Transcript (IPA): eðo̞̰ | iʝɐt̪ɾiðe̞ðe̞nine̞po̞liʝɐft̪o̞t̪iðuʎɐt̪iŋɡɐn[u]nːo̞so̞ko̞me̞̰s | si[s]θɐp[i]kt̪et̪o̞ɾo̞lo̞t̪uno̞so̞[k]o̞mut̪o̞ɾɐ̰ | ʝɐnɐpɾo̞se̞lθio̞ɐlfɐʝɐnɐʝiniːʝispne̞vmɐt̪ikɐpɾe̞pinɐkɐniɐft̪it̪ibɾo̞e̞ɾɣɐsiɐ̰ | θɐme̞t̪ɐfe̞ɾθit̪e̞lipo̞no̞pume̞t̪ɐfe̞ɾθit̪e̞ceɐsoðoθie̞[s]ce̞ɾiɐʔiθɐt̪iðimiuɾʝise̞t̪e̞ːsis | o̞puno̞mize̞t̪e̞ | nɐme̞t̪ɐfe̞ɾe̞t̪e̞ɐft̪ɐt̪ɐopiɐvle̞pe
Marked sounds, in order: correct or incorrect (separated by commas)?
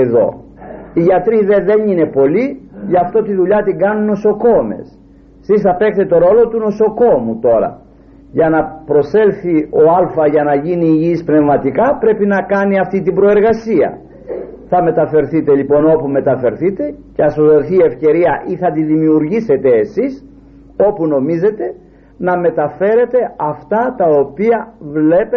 correct, correct, incorrect, correct, incorrect